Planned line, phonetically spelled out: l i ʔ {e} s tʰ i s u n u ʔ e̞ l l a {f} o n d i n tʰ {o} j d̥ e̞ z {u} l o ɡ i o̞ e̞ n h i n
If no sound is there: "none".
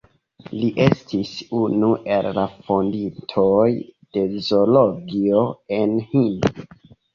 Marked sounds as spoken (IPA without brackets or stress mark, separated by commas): e, f, o, o